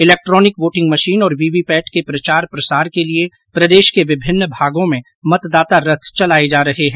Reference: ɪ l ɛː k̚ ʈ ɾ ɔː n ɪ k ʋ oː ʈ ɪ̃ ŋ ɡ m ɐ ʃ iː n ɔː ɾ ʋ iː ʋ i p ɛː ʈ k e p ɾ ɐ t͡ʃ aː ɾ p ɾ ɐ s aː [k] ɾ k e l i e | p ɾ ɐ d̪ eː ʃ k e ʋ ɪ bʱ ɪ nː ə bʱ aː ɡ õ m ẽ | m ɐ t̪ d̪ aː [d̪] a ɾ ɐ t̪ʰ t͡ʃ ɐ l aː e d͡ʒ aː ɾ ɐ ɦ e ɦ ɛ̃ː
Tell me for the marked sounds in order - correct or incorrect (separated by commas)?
incorrect, incorrect